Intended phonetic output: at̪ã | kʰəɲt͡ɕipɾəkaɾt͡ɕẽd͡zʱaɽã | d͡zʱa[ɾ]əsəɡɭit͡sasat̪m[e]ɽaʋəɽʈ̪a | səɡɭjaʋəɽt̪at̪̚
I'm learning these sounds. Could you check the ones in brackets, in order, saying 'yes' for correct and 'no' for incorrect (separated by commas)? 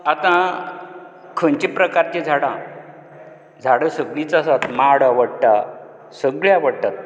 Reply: no, no